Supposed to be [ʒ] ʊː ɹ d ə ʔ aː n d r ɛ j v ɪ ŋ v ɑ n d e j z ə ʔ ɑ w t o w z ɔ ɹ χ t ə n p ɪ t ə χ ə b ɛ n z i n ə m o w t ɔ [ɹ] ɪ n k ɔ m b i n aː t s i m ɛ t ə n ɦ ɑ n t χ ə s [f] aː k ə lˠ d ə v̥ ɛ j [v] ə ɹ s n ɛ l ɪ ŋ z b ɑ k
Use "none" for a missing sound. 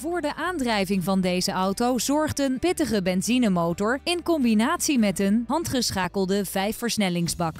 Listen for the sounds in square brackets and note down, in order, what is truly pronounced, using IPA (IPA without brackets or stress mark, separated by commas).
v, ɹ, χ, f